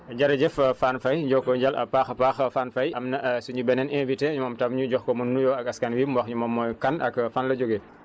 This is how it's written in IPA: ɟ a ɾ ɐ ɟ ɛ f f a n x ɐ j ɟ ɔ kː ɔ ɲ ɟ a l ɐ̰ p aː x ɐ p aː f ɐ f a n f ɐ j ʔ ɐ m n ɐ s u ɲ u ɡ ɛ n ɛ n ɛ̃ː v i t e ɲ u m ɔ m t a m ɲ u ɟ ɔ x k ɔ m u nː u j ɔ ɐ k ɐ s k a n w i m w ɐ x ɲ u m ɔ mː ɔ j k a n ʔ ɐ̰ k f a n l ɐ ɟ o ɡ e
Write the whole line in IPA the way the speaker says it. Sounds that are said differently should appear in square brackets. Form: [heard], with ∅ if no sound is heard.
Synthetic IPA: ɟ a ɾ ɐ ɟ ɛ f f a n [f] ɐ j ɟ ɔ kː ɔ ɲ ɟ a l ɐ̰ p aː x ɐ p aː [x] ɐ f a n f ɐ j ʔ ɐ m n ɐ s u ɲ u [b] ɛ n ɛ n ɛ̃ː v i t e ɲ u m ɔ m t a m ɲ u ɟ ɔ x k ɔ m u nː u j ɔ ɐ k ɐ s k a n w i m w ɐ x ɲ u m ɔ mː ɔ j k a n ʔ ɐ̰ k f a n l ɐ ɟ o ɡ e